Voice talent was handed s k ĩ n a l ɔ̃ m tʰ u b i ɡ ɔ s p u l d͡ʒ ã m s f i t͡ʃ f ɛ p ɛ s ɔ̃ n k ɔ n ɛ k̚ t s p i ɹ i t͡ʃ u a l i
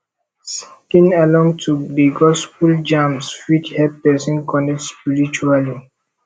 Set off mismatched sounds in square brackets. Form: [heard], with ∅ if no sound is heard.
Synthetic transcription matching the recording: s k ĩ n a l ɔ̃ [ŋ] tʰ u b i ɡ ɔ s p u l d͡ʒ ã m s f i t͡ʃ [h] ɛ p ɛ s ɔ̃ n k ɔ n ɛ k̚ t s p i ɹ i t͡ʃ u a l i

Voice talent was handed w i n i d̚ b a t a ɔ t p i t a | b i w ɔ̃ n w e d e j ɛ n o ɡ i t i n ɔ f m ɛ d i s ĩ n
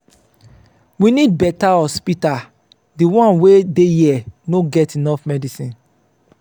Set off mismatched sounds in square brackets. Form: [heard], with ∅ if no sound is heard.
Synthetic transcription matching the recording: w i n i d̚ b [ɛ] t a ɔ [s] p i t a | [d] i w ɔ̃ n w e d e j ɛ n o ɡ [ɛ] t i n ɔ f m ɛ d i s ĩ n

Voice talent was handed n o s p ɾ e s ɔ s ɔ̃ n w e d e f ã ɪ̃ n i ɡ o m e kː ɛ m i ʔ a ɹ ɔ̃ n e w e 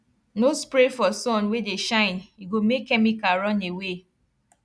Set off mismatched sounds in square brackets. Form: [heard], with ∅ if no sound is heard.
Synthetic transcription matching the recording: n o s p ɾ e [f] ɔ s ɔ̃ n w e d e [ʃ] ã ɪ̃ n i ɡ o m e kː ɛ m i [k] a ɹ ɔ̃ n e w e

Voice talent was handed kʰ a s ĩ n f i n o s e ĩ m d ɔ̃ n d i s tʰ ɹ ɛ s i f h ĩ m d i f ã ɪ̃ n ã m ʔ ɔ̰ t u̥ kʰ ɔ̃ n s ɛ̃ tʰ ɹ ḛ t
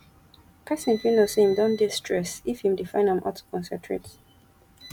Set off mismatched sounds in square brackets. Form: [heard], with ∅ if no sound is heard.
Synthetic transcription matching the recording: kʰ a s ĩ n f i n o s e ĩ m d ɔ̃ n d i s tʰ ɹ ɛ s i f h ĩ m d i f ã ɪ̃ n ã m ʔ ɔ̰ t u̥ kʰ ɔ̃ n s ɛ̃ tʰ ɹ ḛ t

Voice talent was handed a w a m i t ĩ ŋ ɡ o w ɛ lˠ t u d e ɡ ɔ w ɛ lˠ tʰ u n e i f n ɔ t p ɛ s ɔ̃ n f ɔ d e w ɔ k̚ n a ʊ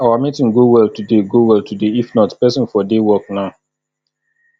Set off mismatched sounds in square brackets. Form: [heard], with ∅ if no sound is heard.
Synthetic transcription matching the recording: a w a m i t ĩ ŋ ɡ o w ɛ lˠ t u d e ɡ [o] w ɛ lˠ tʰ u [d] e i f n ɔ t p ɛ s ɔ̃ n f ɔ d e w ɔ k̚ n a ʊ

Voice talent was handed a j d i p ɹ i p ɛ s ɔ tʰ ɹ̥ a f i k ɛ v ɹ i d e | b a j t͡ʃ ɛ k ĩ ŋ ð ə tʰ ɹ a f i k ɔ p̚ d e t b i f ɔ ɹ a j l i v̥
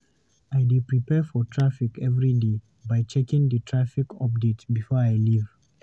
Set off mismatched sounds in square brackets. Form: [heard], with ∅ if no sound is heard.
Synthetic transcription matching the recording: a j d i p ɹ i p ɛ [f] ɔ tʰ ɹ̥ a f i k ɛ v ɹ i d e | b a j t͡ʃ ɛ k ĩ ŋ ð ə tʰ ɹ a f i k ɔ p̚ d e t b i f ɔ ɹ a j l i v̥

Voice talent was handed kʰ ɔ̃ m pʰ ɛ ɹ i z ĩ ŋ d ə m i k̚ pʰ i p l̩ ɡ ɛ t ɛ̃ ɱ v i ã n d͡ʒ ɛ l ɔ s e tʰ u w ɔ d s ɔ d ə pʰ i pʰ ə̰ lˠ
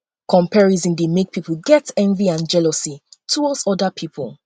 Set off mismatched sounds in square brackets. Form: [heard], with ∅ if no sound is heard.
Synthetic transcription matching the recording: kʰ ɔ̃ m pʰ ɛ ɹ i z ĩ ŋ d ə m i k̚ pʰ i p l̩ ɡ ɛ t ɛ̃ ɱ v i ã n d͡ʒ ɛ l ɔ s [i] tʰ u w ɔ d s ɔ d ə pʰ i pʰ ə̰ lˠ

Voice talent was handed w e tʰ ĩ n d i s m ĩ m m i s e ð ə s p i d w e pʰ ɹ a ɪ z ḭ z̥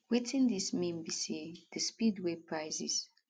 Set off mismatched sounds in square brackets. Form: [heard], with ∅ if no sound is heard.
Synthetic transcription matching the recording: w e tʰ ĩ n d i s m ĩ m [b] i s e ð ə s p i d w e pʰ ɹ a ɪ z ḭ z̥

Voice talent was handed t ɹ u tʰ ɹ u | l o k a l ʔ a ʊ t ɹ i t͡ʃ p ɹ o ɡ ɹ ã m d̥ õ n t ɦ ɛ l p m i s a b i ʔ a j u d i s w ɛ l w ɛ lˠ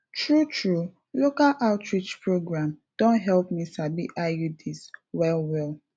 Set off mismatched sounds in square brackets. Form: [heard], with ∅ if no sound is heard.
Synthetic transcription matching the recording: t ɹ u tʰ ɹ u | l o k a l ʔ a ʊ t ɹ i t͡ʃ p ɹ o ɡ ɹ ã m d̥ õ n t ɦ ɛ l p m i s a b i ʔ a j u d i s w ɛ l w ɛ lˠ

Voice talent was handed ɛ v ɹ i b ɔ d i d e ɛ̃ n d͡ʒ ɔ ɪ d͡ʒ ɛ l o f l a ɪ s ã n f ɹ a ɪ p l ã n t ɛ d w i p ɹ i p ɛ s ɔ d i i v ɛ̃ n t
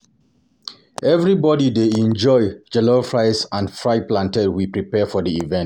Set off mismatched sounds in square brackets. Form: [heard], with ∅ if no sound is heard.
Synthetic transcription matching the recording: ɛ v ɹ i b ɔ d i d e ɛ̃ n d͡ʒ ɔ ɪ d͡ʒ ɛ l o f [ɹ] a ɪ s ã n f ɹ a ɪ p l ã n t ɛ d w i p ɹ i p ɛ [f] ɔ d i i v ɛ̃ n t

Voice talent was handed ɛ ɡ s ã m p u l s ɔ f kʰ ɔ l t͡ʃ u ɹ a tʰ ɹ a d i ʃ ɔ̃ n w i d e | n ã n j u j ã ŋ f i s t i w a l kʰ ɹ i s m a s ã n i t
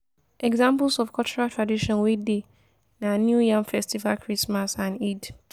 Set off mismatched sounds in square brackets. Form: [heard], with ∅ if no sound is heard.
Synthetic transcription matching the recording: ɛ ɡ [z] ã m p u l s ɔ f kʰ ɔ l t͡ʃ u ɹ a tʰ ɹ a d i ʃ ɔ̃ n w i d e | n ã n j u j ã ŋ f [ɛ] s t i [v] a l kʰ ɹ i s m a s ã n i [d]

